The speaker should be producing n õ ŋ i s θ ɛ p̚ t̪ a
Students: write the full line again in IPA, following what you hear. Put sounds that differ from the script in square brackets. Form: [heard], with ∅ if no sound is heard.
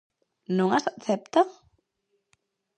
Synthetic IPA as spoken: n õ ŋ [a] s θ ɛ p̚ t̪ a